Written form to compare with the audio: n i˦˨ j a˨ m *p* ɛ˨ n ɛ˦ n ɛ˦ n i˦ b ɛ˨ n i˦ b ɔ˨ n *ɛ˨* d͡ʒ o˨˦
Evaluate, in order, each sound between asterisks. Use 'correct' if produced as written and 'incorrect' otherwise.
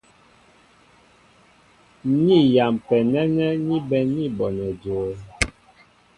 correct, correct

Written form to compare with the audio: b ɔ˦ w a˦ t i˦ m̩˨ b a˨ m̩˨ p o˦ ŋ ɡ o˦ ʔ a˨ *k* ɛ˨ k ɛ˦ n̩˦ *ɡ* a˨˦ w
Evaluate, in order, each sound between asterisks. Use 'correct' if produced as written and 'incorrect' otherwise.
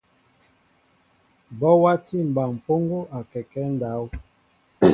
correct, incorrect: d

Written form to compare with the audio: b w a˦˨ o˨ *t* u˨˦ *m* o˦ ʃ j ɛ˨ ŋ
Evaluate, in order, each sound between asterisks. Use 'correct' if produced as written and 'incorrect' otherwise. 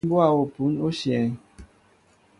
incorrect: p, incorrect: n

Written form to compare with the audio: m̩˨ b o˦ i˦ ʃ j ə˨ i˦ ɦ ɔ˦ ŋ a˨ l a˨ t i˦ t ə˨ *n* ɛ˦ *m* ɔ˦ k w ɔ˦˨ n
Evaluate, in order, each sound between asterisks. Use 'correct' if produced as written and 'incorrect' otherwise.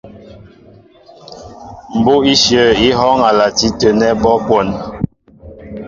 correct, incorrect: b

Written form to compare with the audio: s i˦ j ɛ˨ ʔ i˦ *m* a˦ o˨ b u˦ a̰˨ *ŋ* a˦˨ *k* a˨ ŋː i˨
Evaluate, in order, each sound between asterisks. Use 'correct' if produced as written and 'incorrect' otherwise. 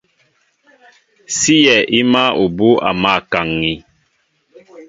correct, incorrect: m, correct

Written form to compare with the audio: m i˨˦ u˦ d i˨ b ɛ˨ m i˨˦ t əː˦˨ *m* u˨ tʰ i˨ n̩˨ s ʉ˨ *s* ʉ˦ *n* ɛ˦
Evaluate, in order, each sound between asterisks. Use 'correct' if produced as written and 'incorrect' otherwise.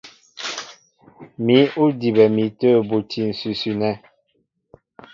incorrect: b, correct, correct

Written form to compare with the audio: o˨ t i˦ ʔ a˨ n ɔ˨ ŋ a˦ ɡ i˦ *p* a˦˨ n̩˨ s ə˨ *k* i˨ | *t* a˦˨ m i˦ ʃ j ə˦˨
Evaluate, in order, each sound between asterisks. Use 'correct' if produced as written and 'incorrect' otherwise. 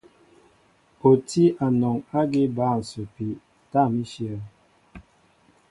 incorrect: b, incorrect: p, correct

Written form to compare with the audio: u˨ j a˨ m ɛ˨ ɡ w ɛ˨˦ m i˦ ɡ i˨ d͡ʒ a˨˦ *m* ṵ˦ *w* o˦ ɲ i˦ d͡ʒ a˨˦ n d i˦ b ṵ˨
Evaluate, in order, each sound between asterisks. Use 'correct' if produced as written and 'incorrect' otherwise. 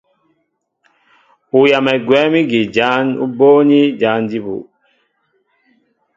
incorrect: n, incorrect: b

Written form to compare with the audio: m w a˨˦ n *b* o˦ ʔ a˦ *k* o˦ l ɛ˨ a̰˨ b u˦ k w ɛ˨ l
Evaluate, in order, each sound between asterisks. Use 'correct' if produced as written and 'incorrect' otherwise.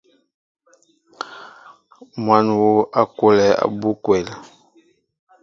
incorrect: w, correct

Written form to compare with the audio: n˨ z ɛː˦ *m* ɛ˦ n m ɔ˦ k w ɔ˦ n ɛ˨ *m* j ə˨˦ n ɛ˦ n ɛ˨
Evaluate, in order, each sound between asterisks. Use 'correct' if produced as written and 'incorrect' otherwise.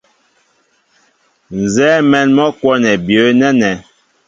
correct, incorrect: b

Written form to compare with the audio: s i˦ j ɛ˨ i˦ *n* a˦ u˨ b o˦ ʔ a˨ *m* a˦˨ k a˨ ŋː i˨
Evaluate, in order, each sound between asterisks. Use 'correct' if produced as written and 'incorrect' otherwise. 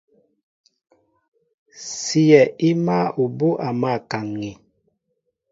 incorrect: m, correct

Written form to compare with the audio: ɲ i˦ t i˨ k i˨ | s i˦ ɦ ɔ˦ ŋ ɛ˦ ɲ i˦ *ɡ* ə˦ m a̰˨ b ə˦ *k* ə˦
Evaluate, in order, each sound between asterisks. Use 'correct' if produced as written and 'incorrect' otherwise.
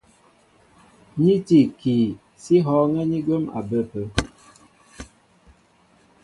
correct, incorrect: p

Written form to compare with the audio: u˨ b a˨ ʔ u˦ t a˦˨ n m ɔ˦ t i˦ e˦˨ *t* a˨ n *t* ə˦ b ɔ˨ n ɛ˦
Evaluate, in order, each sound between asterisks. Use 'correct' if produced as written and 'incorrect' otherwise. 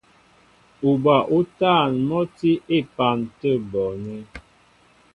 incorrect: p, correct

